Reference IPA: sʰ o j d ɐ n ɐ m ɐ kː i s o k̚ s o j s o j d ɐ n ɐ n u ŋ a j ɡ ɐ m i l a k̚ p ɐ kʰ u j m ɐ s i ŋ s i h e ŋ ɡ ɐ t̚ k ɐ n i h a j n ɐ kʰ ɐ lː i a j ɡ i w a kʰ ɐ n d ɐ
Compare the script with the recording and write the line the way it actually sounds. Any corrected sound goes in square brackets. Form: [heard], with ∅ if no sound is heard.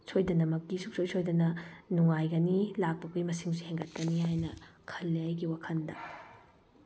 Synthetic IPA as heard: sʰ o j d ɐ n ɐ m ɐ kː i s [u] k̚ s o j s o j d ɐ n ɐ n u ŋ a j ɡ ɐ [n] i l a k̚ p ɐ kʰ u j m ɐ s i ŋ s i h e ŋ ɡ ɐ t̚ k ɐ n i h a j n ɐ kʰ ɐ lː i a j ɡ i w a kʰ ɐ n d ɐ

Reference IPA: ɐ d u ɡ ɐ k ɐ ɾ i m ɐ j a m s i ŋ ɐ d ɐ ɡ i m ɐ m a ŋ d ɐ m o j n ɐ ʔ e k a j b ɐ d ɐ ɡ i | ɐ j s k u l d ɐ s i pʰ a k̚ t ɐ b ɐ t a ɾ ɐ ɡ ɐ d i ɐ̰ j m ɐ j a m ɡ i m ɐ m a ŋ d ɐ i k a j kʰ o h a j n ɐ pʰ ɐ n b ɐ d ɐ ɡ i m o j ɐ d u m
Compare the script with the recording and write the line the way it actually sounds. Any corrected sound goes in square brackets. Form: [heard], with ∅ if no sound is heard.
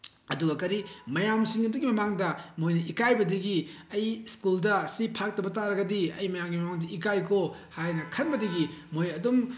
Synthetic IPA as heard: ɐ d u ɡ ɐ k ɐ ɾ i m ɐ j a m s i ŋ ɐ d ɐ ɡ i m ɐ m a ŋ d ɐ m o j n ɐ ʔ [i] k a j b ɐ d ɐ ɡ i | ɐ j s k u l d ɐ s i pʰ a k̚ t ɐ b ɐ t a ɾ ɐ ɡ ɐ d i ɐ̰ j m ɐ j a m ɡ i m ɐ m a ŋ d ɐ i k a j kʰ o h a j n ɐ [kʰ] ɐ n b ɐ d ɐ ɡ i m o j ɐ d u m

